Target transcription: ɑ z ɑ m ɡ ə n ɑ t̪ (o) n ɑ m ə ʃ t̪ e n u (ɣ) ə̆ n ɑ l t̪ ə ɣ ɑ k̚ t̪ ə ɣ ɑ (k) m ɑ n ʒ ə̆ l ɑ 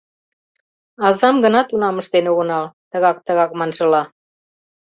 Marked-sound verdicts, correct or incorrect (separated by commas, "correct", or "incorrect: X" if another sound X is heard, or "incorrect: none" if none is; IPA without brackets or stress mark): incorrect: u, correct, correct